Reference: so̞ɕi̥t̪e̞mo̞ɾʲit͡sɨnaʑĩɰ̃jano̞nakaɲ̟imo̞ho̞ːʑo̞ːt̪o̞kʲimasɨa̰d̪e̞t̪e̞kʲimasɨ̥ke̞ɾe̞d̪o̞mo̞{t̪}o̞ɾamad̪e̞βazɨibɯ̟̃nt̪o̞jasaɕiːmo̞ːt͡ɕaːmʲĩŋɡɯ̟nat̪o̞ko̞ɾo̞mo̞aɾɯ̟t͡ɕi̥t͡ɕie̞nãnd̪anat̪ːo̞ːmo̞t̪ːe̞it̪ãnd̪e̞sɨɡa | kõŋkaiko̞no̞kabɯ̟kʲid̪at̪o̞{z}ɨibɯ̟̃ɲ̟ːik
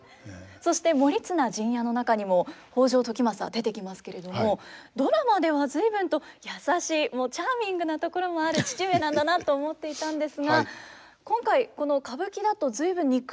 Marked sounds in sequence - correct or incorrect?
incorrect: d̪, correct

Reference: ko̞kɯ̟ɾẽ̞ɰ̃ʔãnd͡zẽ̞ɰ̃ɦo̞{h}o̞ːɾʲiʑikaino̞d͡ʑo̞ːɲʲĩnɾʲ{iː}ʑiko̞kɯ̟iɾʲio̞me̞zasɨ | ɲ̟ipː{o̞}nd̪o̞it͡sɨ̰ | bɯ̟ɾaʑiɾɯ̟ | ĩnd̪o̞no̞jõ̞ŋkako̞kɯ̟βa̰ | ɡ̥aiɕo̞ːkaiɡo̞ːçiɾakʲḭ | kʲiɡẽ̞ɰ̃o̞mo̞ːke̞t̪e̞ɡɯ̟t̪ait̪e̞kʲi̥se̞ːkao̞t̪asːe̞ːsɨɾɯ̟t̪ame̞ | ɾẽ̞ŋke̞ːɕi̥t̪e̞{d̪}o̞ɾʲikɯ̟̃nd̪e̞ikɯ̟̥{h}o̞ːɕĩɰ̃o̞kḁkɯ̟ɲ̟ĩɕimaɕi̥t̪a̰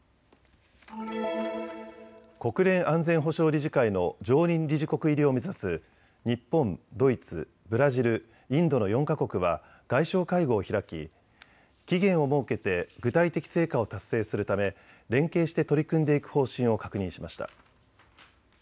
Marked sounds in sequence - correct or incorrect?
incorrect: ɕ, incorrect: i, incorrect: õ̞, incorrect: t̪, correct

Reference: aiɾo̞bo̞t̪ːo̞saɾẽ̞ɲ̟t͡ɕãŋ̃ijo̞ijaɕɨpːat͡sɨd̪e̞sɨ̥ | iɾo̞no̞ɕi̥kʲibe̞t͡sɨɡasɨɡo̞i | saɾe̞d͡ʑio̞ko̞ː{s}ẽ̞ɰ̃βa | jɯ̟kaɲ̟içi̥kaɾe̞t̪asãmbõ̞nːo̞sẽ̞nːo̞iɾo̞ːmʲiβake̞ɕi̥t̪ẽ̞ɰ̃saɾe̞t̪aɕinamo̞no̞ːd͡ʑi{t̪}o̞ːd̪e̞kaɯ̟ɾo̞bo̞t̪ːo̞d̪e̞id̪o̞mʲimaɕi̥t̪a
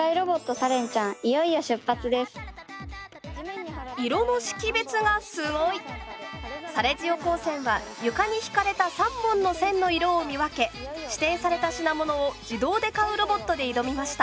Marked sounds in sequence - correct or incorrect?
correct, incorrect: d̪

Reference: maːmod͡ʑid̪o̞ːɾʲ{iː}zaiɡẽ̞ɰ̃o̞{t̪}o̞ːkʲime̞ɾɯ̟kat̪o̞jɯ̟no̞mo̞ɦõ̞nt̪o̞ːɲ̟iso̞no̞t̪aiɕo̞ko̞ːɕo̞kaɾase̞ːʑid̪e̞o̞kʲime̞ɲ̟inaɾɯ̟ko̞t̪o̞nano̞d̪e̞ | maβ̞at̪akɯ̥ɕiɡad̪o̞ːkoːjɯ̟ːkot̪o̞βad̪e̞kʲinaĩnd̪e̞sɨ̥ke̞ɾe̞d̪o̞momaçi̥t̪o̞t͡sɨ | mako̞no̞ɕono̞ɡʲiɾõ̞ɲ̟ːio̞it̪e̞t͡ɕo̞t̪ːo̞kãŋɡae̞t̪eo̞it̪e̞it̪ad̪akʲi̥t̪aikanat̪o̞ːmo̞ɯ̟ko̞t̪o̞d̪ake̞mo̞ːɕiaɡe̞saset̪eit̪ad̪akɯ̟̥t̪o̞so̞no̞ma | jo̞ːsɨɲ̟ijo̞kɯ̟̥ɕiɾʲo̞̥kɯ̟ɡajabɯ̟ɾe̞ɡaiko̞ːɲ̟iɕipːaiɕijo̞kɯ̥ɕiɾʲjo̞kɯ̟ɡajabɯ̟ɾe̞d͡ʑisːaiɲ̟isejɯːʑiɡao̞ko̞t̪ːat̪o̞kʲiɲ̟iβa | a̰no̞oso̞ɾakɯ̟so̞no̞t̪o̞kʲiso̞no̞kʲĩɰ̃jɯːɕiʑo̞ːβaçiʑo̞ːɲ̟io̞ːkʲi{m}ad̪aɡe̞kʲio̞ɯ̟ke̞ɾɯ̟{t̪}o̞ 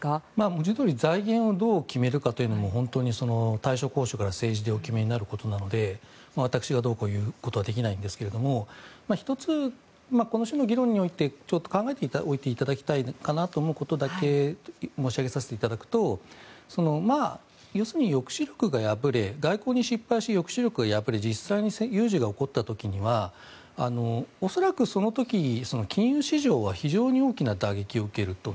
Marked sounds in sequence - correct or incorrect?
incorrect: i, incorrect: d̪, incorrect: n, correct

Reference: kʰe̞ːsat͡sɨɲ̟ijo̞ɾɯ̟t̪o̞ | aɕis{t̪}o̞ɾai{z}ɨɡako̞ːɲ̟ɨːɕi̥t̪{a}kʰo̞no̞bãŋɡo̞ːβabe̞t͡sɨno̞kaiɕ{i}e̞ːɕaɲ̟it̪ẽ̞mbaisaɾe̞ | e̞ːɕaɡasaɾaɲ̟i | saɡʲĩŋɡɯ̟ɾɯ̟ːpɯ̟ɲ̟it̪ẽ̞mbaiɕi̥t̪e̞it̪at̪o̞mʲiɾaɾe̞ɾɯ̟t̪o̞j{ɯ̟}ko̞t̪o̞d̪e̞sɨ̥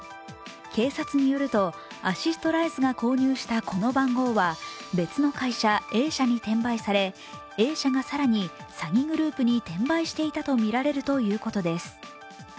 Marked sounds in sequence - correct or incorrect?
correct, correct, correct, incorrect: a, incorrect: ɯ̟ː

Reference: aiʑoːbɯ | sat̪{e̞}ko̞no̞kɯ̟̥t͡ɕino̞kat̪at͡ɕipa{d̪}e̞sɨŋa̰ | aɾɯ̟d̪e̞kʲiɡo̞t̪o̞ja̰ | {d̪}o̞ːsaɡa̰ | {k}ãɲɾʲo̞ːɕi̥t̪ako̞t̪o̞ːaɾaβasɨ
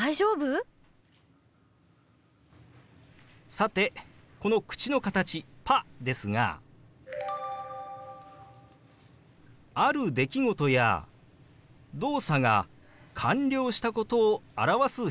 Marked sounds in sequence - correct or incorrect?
correct, correct, correct, incorrect: kʰ

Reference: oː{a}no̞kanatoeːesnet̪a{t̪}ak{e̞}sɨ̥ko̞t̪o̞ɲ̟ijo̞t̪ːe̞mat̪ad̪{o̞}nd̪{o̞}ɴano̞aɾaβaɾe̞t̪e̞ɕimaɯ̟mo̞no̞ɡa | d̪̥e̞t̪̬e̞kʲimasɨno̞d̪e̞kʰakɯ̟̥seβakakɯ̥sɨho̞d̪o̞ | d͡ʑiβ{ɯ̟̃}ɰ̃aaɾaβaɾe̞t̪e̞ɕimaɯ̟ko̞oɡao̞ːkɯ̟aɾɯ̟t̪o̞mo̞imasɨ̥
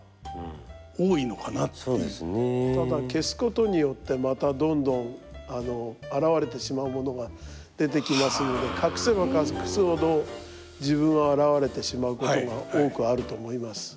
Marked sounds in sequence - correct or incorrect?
incorrect: i, incorrect: d̪, correct, incorrect: õ̞, incorrect: õ̞, correct

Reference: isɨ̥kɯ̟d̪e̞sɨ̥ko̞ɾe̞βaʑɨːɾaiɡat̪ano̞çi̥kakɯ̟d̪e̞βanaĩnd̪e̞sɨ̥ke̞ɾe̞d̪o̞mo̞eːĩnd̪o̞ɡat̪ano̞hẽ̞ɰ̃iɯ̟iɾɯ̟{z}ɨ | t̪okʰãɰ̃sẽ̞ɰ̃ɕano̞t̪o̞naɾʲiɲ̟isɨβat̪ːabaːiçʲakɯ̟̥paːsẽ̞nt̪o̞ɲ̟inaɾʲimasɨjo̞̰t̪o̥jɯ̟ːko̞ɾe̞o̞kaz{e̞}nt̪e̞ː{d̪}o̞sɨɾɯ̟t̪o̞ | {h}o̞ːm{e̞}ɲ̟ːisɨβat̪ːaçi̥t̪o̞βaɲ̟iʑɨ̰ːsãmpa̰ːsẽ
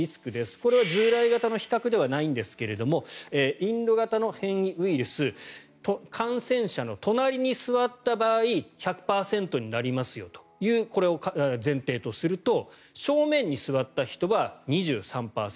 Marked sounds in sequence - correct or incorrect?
incorrect: s, incorrect: ẽ̞, incorrect: t̪, incorrect: ɕ, incorrect: ẽ̞

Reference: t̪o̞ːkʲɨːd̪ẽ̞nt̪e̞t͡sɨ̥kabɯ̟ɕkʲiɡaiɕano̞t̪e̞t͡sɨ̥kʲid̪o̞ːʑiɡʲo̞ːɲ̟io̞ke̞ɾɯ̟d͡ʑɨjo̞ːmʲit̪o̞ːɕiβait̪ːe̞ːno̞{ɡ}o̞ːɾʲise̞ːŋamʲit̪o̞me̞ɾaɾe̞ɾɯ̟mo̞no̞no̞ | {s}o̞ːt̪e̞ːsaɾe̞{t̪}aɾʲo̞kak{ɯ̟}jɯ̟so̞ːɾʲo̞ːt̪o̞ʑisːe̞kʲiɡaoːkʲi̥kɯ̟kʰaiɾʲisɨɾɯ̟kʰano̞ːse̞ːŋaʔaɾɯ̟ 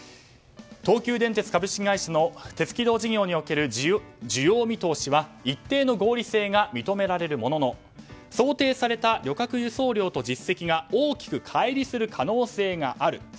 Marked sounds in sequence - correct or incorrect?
correct, correct, correct, correct

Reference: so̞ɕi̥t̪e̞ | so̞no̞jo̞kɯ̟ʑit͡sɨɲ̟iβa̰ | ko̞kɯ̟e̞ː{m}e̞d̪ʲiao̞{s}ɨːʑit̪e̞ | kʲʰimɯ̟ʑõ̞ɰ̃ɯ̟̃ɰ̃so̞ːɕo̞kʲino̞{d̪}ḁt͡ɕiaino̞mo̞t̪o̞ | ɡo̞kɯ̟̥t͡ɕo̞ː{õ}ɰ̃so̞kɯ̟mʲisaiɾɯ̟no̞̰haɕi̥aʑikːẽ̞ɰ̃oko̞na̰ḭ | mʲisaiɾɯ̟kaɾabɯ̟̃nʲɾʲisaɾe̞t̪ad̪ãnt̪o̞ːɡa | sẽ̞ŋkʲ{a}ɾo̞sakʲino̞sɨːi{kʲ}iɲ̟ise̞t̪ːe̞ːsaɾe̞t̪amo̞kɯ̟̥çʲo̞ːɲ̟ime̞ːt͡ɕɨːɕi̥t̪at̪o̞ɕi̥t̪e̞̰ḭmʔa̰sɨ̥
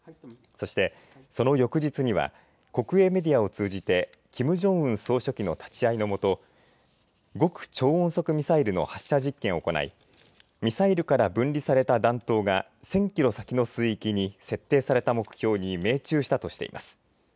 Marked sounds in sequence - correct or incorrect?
correct, incorrect: t͡s, incorrect: t̪, correct, incorrect: i, correct

